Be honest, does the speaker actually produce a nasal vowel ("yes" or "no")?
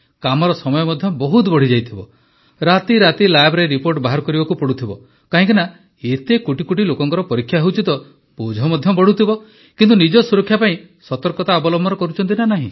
yes